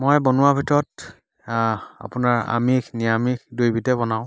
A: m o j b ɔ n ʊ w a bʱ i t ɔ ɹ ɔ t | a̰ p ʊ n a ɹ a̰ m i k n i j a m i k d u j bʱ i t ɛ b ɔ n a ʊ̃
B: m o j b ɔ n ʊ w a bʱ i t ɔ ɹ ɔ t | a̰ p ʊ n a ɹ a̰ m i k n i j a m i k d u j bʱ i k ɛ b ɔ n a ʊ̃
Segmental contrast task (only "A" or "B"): A